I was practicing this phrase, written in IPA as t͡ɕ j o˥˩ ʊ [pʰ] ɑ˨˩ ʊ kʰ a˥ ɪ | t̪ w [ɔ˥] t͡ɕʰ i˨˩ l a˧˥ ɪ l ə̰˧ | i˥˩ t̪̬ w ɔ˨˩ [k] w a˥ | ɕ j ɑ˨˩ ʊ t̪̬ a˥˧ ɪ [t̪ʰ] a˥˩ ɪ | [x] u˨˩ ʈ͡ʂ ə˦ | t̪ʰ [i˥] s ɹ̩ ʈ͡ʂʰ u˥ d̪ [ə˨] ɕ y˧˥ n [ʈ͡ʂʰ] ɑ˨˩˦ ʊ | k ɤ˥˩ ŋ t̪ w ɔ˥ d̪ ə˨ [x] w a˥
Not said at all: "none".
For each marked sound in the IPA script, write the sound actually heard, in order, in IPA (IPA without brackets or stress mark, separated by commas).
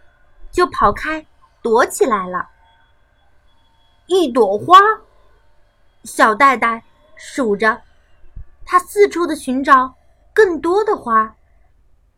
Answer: pʰ, ɔ˧˥, x, t̪, ʂ, a˥, ə˨, ʈ͡ʂ, x